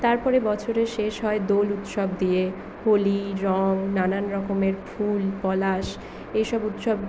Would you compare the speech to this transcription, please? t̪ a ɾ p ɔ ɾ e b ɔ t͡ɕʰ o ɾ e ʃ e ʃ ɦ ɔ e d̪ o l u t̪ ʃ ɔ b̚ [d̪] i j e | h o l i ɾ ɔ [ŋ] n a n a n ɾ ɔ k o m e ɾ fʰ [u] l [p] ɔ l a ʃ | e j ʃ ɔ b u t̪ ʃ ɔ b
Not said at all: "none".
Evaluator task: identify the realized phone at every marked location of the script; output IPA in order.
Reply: d̪, ŋ, u, p

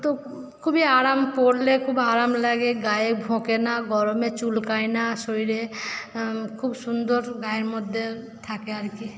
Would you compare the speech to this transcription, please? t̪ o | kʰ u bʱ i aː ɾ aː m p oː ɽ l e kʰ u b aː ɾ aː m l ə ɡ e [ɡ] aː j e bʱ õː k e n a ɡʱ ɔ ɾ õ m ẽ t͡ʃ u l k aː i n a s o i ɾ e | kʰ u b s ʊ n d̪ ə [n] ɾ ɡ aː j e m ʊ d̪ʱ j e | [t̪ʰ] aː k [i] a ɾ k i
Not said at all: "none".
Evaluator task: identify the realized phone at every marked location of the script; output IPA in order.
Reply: ɡ, none, t̪ʰ, e

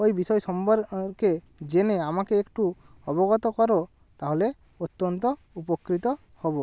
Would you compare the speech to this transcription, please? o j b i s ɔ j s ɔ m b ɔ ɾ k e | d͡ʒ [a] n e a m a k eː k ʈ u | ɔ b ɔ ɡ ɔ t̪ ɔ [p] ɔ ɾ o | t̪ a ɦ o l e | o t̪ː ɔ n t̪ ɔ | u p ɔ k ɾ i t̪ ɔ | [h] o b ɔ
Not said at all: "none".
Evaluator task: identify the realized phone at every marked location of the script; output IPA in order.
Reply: e, k, h

